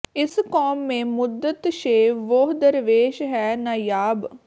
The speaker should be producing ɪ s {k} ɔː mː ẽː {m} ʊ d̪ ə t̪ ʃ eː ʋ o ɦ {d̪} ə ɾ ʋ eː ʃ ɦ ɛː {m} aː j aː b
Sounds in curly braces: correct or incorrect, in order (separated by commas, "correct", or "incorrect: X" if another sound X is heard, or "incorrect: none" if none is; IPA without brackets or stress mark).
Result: correct, correct, correct, incorrect: n